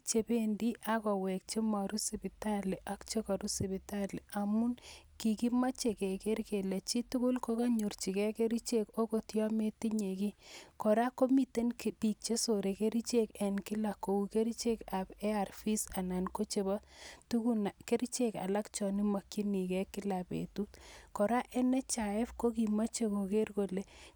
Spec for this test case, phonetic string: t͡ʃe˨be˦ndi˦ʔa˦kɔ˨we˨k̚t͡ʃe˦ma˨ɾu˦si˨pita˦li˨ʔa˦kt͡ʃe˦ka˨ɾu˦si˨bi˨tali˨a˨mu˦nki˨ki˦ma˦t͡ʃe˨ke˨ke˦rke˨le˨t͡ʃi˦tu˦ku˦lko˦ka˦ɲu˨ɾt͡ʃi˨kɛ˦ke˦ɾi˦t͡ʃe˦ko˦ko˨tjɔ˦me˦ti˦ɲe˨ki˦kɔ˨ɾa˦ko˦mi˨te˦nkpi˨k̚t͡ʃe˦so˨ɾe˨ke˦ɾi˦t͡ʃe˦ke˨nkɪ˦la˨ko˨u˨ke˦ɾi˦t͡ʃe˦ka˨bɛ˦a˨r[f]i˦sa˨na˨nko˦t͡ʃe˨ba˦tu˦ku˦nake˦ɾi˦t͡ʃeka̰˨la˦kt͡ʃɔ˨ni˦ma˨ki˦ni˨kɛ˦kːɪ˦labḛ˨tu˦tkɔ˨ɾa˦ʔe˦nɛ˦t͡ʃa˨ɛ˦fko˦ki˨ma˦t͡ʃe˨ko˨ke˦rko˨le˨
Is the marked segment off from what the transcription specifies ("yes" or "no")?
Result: no